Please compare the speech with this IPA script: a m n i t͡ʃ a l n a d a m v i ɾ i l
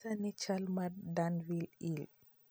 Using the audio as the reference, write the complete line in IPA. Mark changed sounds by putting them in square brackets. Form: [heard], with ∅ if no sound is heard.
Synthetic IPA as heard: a [∅] n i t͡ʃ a l [m] a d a [n] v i [l] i l